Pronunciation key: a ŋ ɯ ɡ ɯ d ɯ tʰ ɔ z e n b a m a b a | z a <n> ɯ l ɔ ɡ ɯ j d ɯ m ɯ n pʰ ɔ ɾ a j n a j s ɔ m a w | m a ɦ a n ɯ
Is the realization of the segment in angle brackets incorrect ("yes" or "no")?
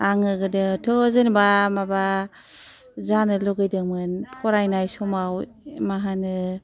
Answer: no